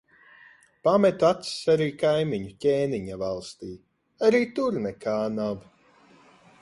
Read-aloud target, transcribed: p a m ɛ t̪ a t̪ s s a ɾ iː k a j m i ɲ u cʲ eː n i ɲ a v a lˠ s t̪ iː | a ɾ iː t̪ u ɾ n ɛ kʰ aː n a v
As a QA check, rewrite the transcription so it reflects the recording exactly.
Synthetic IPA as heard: p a m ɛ t̪ a t̪ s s a ɾ iː k a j m i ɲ u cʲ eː n i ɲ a v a lˠ s t̪ iː | a ɾ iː t̪ u ɾ n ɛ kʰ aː n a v